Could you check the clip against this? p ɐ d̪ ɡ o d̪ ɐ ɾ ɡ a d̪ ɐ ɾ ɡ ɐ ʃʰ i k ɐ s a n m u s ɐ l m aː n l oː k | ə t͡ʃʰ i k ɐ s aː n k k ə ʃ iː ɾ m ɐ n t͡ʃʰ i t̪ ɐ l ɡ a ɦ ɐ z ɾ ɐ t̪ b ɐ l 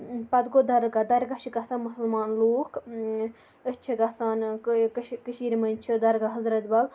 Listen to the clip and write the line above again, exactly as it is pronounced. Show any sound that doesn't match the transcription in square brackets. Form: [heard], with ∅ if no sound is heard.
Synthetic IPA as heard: p ɐ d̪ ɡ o d̪ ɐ ɾ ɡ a d̪ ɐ ɾ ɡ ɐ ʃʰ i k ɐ s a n m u s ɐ l m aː n l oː k | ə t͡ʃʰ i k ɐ s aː n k k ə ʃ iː ɾ m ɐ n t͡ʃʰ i [d̪] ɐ [ɾ] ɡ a ɦ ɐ z ɾ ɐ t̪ b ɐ l